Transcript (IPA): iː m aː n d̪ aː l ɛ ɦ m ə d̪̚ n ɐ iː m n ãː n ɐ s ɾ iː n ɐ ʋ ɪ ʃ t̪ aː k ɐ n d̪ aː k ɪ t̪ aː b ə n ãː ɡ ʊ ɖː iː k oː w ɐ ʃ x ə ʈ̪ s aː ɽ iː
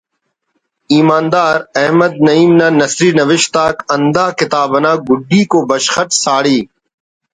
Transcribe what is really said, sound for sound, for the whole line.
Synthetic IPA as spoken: iː m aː n d̪ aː ɾ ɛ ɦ m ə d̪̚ n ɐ iː m n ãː n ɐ s ɾ iː n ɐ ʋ ɪ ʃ t̪ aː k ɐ n d̪ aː k ɪ t̪ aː b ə n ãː ɡ ʊ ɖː iː k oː b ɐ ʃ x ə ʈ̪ s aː ɽ iː